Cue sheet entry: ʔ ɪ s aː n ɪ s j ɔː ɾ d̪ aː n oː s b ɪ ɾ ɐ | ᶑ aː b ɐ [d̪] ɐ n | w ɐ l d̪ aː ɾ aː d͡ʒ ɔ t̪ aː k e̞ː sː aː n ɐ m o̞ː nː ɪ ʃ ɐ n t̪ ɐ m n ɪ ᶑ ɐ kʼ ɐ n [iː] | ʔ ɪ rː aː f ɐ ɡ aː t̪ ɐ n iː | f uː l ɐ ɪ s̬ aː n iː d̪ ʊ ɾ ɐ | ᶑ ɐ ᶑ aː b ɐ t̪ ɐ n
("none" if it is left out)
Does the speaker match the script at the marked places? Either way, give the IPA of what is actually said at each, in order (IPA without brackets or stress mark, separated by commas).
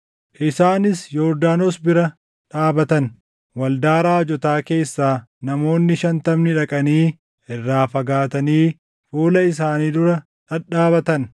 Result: t̪, iː